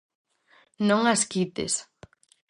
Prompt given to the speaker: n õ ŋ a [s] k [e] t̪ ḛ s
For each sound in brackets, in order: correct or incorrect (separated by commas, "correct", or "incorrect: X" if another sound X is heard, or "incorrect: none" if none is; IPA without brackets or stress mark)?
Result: correct, incorrect: i